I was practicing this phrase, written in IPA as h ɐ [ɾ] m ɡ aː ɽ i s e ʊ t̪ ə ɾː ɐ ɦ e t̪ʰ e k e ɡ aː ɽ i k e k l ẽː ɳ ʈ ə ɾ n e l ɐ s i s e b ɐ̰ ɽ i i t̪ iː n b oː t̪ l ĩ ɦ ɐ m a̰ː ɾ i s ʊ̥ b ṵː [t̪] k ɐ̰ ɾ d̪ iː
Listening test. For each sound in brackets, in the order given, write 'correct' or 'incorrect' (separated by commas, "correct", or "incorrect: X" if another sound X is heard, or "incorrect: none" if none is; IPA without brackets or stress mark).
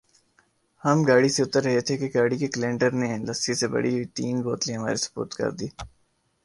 incorrect: none, correct